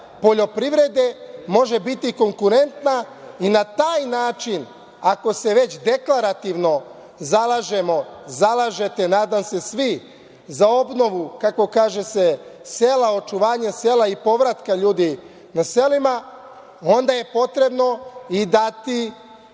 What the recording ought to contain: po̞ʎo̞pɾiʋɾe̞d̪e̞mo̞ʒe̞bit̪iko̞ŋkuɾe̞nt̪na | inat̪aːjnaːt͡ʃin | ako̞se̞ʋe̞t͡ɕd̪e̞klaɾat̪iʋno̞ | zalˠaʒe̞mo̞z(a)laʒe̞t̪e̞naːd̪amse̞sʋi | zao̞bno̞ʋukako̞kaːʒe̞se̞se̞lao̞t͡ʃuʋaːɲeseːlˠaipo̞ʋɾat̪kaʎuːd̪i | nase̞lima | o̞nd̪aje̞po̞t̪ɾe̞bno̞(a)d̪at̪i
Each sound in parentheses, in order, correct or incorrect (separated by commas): correct, incorrect